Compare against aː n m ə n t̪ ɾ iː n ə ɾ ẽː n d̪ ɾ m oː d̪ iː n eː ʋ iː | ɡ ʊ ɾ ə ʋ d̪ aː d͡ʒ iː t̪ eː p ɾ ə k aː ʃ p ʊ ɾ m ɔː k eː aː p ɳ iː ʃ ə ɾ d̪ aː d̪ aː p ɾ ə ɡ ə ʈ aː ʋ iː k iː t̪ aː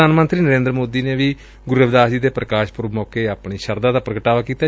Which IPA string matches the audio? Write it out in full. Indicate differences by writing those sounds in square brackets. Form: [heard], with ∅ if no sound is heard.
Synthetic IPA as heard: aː n m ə n t̪ ɾ iː n ə ɾ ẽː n d̪ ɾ m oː d̪ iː n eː ʋ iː | ɡ ʊ ɾ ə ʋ d̪ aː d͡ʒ iː [d̪] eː p ɾ ə k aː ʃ p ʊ ɾ m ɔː k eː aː p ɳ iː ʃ ə ɾ d̪ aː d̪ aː p ɾ ə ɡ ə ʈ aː ʋ [aː] k iː t̪ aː